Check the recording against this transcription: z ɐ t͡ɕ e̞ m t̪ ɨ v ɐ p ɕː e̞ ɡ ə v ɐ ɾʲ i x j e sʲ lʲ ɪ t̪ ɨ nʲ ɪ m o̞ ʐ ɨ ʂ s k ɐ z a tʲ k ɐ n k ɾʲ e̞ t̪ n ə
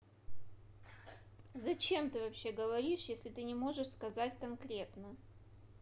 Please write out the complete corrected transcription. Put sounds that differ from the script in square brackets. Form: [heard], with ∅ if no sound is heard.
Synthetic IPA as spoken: z ɐ t͡ɕ e̞ m t̪ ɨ v ɐ p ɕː e̞ ɡ ə v ɐ ɾʲ i [ʂ] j e sʲ lʲ ɪ t̪ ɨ nʲ ɪ m o̞ ʐ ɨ ʂ s k ɐ z a tʲ k ɐ n k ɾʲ e̞ t̪ n ə